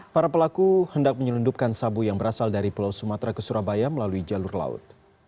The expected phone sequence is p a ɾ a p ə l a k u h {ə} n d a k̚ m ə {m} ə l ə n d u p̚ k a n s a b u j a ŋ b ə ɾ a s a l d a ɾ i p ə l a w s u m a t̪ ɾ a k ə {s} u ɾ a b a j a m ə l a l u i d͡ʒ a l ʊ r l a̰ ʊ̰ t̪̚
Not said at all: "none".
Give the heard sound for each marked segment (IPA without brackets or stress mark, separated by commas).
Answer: ə, ɲ, s